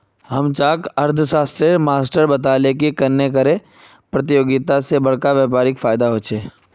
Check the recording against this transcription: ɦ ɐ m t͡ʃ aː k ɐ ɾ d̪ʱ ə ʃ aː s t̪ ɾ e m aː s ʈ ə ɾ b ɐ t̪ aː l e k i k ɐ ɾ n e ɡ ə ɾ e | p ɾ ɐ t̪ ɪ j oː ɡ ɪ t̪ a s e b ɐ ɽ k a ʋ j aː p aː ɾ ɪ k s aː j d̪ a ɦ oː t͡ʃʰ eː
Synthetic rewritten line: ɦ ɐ m t͡ʃ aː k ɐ ɾ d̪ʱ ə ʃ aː s t̪ ɾ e m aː s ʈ ə ɾ b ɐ t̪ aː l e k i k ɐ ɾ n e k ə ɾ e | p ɾ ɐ t̪ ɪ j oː ɡ ɪ t̪ a s e b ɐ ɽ k a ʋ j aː p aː ɾ ɪ k f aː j d̪ a ɦ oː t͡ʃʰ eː